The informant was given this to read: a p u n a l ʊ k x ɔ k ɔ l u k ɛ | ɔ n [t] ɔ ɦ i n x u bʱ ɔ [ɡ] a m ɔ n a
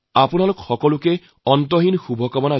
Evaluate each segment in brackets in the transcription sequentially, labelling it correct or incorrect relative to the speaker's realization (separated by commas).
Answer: correct, incorrect